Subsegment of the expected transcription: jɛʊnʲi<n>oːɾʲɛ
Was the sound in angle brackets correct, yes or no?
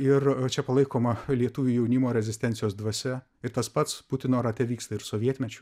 no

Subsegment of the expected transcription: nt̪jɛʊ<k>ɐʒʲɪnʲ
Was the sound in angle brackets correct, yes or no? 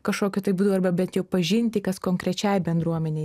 no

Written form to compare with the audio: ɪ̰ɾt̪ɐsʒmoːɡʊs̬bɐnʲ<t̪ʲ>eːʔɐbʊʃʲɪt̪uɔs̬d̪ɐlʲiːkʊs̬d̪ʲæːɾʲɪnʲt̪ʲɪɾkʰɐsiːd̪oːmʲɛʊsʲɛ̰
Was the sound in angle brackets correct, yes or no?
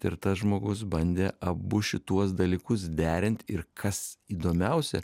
no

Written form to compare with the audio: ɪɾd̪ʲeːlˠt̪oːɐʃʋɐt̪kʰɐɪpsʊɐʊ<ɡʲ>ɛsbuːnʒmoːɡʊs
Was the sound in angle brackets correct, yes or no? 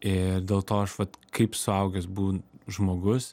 yes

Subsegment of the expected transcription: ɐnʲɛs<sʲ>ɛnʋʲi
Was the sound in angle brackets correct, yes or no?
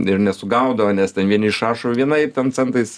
no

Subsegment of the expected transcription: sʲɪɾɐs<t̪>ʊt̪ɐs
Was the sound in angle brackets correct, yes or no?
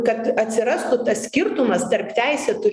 yes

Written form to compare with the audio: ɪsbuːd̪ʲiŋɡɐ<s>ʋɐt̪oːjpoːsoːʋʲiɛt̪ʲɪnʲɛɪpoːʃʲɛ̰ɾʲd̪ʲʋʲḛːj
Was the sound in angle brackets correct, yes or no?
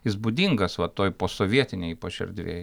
yes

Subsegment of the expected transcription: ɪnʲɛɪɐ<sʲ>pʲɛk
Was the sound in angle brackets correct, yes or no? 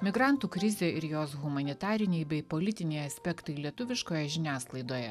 yes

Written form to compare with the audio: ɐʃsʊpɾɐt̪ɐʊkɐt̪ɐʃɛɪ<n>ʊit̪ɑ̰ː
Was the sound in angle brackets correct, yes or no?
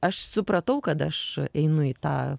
yes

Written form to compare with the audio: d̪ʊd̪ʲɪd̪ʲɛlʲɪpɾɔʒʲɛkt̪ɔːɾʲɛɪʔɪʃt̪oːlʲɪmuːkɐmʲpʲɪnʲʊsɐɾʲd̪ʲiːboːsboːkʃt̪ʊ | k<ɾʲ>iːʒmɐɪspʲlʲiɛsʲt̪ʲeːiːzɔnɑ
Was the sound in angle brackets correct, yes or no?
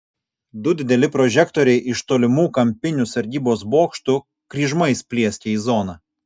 yes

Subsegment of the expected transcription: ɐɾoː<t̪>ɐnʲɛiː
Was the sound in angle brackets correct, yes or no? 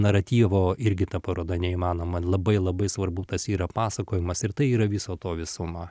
no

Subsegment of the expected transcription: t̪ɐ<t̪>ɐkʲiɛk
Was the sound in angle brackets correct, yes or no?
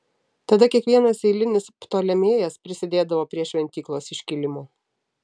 no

